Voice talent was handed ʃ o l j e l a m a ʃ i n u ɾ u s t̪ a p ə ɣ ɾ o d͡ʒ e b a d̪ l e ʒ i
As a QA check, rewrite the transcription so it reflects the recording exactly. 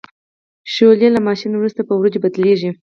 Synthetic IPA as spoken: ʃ o l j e l a m ɑ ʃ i n w ɾ u s t̪ a p ə w ɾ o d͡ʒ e b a d̪ l e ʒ i

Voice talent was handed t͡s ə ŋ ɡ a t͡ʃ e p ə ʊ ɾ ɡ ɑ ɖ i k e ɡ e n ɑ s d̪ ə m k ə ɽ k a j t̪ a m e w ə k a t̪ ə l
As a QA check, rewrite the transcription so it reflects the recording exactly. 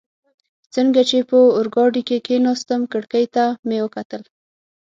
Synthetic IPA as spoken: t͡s ə ŋ ɡ a t͡ʃ e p ə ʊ ɾ ɡ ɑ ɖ i k e k e n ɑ s t̪ ə m k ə ɽ k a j t̪ a m e w ə k a t̪ ə l

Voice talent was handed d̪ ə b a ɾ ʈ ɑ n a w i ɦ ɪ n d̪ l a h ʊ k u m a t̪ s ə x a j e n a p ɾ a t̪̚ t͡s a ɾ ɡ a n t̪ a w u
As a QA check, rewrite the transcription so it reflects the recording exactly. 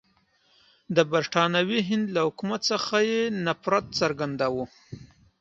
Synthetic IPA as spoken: d̪ ə b a ɾ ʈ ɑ n a w i ɦ ɪ n d̪ l a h ʊ k u m a t̪ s ə x a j e n a p ɾ a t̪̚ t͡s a ɾ ɡ a n d̪ a w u

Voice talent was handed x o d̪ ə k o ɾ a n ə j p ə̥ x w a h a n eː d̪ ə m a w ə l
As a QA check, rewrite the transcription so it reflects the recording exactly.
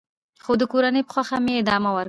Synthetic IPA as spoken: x o d̪ ə k o ɾ a n ə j p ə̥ x w a x a m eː d̪ ɑ m a w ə ɾ

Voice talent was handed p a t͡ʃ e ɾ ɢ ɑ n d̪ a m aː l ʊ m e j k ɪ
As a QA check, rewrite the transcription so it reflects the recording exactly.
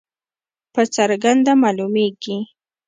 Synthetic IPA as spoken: p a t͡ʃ a ɾ ɢ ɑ n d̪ a m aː l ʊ m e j k ɪ

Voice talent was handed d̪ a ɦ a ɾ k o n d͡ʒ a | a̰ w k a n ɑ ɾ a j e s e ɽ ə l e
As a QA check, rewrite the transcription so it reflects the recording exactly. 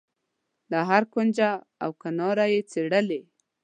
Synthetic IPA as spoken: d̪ a ɦ a ɾ k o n d͡ʒ a | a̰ w k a n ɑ ɾ a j e t͡s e ɽ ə l e

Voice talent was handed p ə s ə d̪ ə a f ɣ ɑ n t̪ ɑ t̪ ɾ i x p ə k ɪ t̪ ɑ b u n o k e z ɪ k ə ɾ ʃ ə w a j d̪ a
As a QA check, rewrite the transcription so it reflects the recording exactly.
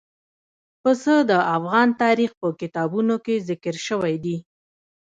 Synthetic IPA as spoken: p ə s ə d̪ ə a f ɣ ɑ n t̪ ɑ ɾ i x p ə k ɪ t̪ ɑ b u n o k e z ɪ k ə ɾ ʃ ə w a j d̪ i

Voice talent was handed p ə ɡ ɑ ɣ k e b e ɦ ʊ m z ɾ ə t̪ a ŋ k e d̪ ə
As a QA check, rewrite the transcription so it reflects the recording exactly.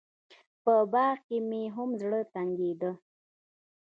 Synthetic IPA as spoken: p ə b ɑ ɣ k e m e ɦ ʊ m z ɽ ə t̪ a ŋ ɡ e d̪ ə

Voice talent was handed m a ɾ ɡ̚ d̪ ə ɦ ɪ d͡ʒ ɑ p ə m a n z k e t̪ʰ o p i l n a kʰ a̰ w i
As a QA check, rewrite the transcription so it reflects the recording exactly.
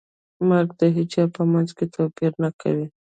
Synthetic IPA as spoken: m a ɾ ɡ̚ d̪ ə ɦ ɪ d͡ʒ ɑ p ə m a n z k e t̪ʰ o p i ɾ n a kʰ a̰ w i

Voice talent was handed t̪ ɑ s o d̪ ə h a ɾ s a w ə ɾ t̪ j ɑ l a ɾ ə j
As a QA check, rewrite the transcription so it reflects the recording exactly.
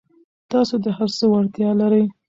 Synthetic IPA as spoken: t̪ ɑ s o d̪ ə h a ɾ s ə w a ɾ t̪ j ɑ l a ɾ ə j

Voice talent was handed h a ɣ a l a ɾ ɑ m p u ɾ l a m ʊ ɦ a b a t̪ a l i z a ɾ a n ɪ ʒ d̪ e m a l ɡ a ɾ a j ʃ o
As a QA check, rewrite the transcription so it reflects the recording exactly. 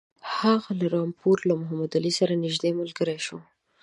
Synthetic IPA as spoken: h a ɣ a l a ɾ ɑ m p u ɾ l a m ʊ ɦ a m a d̪ a l i s a ɾ a n ɪ ʒ d̪ e m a l ɡ ə ɾ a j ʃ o

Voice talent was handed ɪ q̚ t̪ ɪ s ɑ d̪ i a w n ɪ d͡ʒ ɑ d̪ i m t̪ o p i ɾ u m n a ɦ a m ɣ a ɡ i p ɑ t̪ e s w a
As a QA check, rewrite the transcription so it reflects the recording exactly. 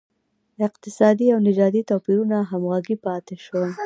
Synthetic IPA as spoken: ɪ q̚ t̪ ɪ s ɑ d̪ i a w n ɪ d͡ʒ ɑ d̪ i t̪ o p i ɾ u n a ɦ a m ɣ a ɡ i p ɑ t̪ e ʃ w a

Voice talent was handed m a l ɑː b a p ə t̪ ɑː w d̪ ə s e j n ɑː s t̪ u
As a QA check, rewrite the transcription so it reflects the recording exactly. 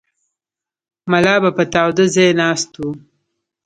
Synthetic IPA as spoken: m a l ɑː b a p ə t̪ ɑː w d̪ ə z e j n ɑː s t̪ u

